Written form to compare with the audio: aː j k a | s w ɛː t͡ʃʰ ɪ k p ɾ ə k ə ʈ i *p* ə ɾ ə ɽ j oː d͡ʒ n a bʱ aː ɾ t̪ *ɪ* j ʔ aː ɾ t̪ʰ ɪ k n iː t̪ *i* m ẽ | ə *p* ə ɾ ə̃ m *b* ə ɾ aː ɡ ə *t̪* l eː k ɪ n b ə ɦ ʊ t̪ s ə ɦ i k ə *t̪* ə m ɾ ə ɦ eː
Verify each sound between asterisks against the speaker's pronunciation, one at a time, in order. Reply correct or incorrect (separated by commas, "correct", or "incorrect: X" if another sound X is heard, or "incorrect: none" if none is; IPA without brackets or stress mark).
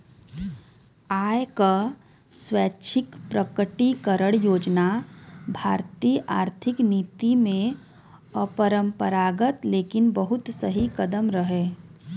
incorrect: k, incorrect: i, correct, correct, incorrect: p, correct, incorrect: d̪